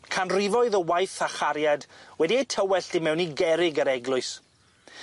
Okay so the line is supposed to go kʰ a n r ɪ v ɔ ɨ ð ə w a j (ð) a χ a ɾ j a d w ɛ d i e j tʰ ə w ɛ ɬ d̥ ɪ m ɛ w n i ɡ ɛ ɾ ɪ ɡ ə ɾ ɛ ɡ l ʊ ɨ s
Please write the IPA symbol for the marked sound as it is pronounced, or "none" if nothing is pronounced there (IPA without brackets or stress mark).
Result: θ